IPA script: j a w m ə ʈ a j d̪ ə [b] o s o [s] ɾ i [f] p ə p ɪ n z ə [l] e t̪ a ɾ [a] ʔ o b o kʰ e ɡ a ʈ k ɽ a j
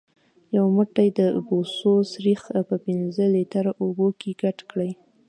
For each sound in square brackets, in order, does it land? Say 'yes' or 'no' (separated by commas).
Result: yes, yes, no, yes, yes